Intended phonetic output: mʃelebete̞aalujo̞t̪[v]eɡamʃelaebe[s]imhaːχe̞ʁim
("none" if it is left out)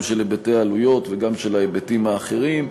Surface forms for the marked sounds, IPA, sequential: v, t

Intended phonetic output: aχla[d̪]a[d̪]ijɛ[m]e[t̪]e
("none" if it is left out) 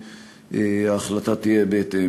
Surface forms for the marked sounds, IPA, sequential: t̪, t̪, b, t̪

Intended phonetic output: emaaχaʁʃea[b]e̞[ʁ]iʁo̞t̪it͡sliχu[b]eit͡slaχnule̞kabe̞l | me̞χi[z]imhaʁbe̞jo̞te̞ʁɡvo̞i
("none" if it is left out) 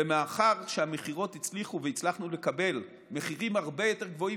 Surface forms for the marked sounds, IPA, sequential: m, χ, v, ʁ

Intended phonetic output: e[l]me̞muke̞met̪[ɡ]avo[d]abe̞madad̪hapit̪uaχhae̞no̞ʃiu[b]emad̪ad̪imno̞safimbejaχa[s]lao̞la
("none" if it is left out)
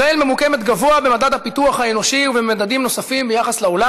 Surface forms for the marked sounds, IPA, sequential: l, ɡ, none, v, s

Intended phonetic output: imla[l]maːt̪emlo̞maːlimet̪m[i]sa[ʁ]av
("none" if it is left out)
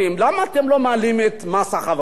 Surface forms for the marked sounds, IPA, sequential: none, a, χ

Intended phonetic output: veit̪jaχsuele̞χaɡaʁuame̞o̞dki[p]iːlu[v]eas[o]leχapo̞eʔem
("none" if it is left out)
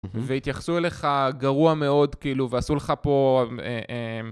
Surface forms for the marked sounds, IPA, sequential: none, v, u

